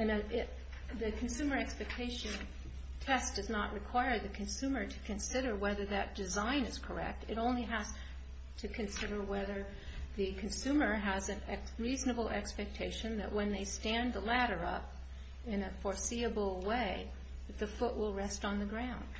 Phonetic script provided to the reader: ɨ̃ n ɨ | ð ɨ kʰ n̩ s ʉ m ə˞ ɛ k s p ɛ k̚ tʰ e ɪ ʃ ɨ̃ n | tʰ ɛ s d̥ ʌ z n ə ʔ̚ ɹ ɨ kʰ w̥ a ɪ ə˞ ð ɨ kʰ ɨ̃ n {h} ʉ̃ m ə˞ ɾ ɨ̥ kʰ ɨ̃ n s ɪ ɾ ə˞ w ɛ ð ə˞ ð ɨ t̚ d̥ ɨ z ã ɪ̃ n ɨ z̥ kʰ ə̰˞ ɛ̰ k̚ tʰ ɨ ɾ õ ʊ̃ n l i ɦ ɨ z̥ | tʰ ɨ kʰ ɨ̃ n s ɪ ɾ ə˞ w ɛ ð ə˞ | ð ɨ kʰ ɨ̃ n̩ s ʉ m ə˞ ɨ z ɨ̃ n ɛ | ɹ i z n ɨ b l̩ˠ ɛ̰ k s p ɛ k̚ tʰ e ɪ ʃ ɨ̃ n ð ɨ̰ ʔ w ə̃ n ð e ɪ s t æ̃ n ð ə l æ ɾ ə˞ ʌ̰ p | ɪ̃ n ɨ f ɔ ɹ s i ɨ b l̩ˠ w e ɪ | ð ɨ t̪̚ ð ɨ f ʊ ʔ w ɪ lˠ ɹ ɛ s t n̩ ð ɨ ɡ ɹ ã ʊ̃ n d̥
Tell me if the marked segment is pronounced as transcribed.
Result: no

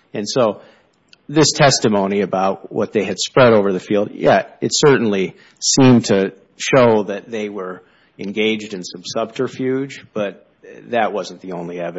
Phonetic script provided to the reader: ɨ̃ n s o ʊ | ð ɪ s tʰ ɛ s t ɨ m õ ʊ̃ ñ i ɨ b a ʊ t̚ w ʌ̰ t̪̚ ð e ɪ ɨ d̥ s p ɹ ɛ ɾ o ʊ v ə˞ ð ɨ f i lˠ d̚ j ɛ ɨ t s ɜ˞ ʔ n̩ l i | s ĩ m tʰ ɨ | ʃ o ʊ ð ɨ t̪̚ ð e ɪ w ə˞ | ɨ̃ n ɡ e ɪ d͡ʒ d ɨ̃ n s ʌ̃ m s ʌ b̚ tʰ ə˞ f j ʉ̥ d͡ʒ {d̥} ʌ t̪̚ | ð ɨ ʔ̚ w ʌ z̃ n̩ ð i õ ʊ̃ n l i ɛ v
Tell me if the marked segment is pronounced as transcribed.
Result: no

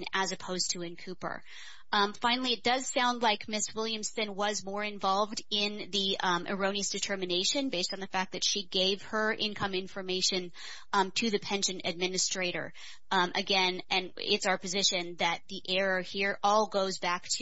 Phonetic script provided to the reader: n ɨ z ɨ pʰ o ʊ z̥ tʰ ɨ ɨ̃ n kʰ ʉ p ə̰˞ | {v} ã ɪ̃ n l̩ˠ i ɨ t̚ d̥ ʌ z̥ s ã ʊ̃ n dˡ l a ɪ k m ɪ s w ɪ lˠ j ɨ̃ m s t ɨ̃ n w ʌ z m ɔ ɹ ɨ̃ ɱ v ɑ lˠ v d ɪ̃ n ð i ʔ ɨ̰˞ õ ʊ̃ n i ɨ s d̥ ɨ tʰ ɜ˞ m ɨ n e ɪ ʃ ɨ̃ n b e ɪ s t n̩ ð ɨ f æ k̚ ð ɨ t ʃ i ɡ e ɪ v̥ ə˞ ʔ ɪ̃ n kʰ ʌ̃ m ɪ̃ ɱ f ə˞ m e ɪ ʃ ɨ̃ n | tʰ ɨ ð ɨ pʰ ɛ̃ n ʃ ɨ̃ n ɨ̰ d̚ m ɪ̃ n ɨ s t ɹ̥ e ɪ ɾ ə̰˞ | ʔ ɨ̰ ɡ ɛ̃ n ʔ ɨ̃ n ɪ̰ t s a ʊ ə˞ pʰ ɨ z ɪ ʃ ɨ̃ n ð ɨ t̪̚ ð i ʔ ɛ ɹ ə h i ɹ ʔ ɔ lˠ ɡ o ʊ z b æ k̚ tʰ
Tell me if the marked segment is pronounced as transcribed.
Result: no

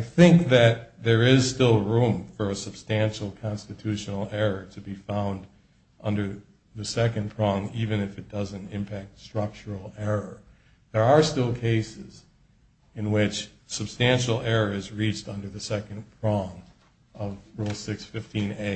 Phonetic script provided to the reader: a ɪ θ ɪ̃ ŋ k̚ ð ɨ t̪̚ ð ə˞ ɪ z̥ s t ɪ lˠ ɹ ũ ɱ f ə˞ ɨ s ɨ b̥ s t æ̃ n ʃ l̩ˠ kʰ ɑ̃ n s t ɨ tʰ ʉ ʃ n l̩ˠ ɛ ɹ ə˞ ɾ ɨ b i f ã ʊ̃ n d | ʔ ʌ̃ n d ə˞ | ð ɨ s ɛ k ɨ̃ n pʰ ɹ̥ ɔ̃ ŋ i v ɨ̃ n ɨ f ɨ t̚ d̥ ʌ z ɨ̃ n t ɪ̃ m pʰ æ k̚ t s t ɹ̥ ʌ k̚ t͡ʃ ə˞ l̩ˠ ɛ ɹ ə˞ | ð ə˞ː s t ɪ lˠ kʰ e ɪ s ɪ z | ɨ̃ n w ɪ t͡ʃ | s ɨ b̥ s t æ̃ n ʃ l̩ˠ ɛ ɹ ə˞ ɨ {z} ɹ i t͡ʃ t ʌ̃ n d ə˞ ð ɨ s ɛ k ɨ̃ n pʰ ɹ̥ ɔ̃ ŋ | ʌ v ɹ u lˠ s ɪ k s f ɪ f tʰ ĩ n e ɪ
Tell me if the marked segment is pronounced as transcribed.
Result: yes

